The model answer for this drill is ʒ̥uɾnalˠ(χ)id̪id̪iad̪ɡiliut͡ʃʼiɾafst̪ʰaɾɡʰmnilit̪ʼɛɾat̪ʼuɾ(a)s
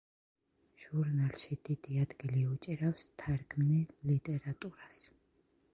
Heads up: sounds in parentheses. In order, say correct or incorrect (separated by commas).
incorrect, correct